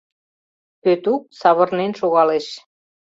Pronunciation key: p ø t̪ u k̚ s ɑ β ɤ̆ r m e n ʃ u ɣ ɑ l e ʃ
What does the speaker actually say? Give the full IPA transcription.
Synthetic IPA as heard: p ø t̪ u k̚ s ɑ β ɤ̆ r n e n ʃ o ɣ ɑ l e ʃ